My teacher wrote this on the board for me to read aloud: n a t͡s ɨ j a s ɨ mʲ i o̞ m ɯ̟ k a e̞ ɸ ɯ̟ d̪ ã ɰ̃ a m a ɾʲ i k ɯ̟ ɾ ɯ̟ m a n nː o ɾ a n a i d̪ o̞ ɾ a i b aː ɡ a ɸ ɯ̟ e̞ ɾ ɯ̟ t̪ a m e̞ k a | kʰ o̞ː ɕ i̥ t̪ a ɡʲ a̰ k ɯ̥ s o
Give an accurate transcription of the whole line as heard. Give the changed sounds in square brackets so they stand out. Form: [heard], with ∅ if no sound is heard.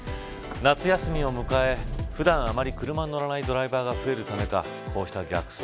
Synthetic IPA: n a t͡s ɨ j a s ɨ mʲ i o̞ m ɯ̟ k a e̞ ɸ ɯ̟ d̪ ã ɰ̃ a m a ɾʲ i k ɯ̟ ɾ ɯ̟ m a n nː o ɾ a n a i d̪ o̞ ɾ a i b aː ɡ a ɸ ɯ̟ e̞ ɾ ɯ̟ t̪ a m e̞ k a | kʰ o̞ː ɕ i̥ t̪ a ɡʲ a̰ k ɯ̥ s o